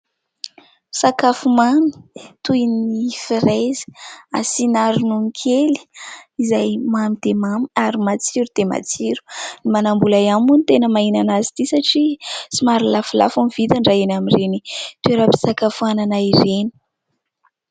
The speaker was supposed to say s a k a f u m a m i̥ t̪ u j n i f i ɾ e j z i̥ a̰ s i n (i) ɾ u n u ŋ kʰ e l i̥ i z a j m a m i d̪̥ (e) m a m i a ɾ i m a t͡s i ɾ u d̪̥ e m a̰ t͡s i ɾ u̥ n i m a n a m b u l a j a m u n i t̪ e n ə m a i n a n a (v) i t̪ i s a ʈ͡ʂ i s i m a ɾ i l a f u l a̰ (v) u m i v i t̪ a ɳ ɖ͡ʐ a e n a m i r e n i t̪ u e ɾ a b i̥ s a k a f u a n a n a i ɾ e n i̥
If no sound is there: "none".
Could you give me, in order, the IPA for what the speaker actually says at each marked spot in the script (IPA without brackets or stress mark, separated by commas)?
a, e, z, f